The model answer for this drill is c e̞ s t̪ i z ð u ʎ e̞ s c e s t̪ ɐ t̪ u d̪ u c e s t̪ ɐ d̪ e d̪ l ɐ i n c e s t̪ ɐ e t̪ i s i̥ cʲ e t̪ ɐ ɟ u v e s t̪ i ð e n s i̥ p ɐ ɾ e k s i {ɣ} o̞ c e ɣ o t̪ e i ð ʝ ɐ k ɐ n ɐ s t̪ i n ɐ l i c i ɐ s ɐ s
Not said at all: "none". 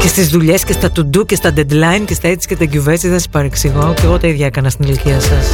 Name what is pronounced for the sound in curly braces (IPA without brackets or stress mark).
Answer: ɣ